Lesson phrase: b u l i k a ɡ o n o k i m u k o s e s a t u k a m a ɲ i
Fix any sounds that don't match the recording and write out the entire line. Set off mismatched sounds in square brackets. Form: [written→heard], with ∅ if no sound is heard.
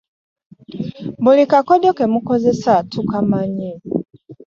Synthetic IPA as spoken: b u l i k a [ɡ→k] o [n→d] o k [i→e] m u k o [s→z] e s a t u k a m a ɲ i